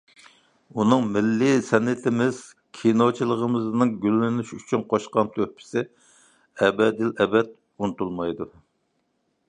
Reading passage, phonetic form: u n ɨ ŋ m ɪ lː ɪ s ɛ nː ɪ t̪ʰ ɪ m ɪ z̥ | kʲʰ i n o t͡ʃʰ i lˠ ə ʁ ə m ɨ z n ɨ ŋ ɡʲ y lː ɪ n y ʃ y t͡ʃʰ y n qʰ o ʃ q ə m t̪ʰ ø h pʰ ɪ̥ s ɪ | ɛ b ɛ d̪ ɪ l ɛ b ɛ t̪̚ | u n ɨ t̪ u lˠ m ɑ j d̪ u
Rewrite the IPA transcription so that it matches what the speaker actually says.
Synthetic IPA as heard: u n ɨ ŋ m ɪ lː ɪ s ɛ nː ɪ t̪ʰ ɪ m ɪ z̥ | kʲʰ i n o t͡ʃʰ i lˠ ə ʁ ə m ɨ z n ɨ ŋ ɡʲ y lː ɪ n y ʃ y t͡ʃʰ y n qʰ o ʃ q ɑ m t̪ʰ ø h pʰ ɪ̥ s ɪ | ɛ b ɛ d̪ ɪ l ɛ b ɛ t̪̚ | u n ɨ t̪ u lˠ m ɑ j d̪ u